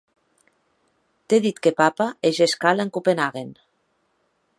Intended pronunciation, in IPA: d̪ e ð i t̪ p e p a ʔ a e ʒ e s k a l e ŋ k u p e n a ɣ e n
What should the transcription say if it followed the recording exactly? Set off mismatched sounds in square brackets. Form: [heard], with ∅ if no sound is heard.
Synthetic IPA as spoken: [t̪] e ð i t̪ [k] e p a [p] a e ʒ e s k a l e ŋ k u p e n a ɣ e n

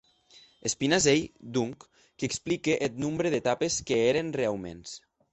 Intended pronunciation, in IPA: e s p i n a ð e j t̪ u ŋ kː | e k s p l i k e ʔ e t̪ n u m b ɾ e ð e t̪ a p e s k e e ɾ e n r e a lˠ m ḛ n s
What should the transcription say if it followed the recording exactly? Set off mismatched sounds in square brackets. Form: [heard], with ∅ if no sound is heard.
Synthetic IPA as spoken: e s p i n a [z] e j [d̪] u ŋ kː | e k s p l i k e ʔ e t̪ n u m b ɾ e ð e t̪ a p e s k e e ɾ e n r e a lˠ m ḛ n s

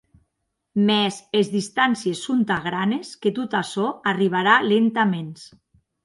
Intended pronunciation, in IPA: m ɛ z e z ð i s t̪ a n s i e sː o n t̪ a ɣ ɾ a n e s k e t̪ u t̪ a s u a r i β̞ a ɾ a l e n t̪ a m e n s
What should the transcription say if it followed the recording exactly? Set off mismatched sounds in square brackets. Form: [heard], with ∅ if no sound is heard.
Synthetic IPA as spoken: m ɛ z e z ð i s t̪ a n s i e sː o n t̪ a ɣ ɾ a n e s k e t̪ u t̪ a s [ɔ] a r i β̞ a ɾ a l e n t̪ a m e n s

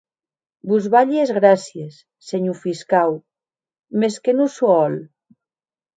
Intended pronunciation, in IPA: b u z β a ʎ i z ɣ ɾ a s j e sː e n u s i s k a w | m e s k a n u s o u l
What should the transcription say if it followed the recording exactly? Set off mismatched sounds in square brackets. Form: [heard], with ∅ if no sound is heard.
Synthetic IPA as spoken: b u z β a ʎ [e] z ɣ ɾ a s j e sː e [ɲ] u [f] i s k a w | m e s k [e] n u s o [ɔ] l

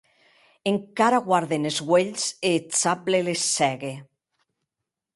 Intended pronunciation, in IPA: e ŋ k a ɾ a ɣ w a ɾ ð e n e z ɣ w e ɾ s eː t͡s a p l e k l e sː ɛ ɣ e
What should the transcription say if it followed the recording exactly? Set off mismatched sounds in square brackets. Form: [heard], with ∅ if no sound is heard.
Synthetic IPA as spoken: e ŋ k a ɾ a ɣ w a ɾ ð e n e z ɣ w e [ʎ] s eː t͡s a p l e [∅] l e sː ɛ ɣ e

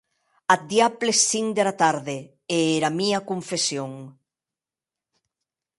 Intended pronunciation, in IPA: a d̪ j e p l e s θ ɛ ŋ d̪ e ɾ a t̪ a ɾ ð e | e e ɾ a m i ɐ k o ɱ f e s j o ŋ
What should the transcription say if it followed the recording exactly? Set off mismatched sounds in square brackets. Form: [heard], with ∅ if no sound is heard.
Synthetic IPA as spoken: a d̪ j [a] p l e s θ [i] ŋ d̪ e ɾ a t̪ a ɾ ð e | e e ɾ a m i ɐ k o ɱ f e s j o ŋ

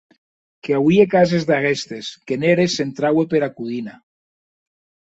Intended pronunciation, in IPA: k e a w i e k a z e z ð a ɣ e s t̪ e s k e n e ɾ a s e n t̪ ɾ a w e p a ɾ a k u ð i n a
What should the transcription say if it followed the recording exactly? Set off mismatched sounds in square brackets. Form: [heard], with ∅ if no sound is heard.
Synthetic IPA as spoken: k e a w i e k a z e z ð a ɣ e s t̪ e s k e n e ɾ [e] s e n t̪ ɾ a w e p [e] ɾ a k u ð i n a

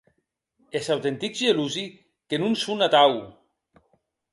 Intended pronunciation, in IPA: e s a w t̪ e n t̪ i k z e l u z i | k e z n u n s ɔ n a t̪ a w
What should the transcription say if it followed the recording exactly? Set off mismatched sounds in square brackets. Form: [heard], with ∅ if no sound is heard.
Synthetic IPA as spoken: e s a w t̪ e n t̪ i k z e l u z i | k e [∅] n u n s [u] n a t̪ a w

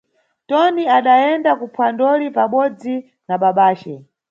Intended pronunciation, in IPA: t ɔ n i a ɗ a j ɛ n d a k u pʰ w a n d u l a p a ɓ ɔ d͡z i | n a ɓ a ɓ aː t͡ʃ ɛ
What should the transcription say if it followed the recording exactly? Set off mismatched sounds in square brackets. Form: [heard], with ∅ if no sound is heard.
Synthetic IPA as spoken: t ɔ n i a ɗ a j ɛ n d a k u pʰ w a n d [ɔ] l [i] p a ɓ ɔ d͡z i | n a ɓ a ɓ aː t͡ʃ ɛ

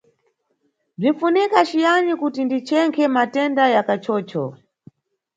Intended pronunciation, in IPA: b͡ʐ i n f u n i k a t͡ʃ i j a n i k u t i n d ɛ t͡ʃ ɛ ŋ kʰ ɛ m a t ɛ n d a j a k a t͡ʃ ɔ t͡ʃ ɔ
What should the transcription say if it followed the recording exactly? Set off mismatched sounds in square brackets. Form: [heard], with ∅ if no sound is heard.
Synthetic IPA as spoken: b͡ʐ i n f u n i k a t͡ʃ i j a n i k u t i n d [i] t͡ʃ ɛ ŋ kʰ ɛ m a t ɛ n d a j a k a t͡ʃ [ɔː] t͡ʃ ɔ

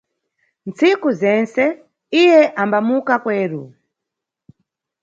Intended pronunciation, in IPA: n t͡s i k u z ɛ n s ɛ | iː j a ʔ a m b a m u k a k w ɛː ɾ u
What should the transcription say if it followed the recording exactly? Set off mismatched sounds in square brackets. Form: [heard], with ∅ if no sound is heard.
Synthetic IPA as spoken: n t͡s i k u z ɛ n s ɛ | [i] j [ɛ] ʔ a m b a m u k a k w ɛː ɾ u

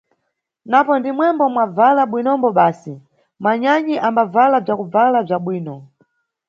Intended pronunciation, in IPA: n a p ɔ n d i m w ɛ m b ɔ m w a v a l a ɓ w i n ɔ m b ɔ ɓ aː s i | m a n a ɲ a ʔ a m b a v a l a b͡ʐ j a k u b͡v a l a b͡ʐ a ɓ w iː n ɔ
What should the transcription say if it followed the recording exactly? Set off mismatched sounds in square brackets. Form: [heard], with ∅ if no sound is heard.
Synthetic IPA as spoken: n a p ɔ n d i m w ɛ m b ɔ m w a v a l a ɓ w i n ɔ m b ɔ ɓ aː s i | m a [ɲ] a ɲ [i] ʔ a m b a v a l a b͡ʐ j a k u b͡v a l a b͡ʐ a ɓ w iː n ɔ

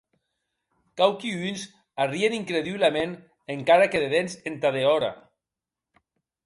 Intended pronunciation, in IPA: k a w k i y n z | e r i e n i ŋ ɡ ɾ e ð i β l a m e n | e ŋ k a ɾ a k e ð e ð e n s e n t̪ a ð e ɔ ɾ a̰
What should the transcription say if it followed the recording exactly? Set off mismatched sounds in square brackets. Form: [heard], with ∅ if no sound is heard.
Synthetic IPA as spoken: k a w k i y n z | [a] r i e n i ŋ [k] ɾ e ð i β l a m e n | e ŋ k a ɾ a k e ð e ð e n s e n t̪ a ð e ɔ ɾ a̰

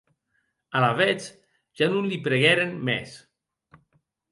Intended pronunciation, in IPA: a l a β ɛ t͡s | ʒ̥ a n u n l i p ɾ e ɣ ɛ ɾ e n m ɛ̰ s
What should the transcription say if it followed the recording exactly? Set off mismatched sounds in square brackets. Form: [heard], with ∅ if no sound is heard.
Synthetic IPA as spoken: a l a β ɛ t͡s | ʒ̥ a n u n l i p ɾ e ɣ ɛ ɾ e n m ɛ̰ s

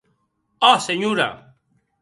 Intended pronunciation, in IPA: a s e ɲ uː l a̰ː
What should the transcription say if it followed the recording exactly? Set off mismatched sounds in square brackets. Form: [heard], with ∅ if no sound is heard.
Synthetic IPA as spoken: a s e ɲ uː [ɾ] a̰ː

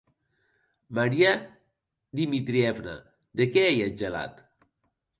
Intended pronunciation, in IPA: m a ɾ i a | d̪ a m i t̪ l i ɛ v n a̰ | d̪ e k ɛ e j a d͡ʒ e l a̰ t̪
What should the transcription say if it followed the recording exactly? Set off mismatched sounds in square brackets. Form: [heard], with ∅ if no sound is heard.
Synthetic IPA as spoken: m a ɾ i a | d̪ [i] m i t̪ [ɾ] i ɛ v n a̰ | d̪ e k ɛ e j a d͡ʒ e l a̰ t̪

